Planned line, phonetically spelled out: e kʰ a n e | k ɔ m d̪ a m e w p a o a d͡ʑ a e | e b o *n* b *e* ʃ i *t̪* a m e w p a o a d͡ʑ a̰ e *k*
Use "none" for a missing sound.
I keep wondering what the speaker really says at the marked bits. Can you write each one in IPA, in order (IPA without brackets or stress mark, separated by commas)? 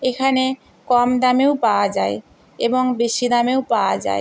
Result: ŋ, e, d̪, none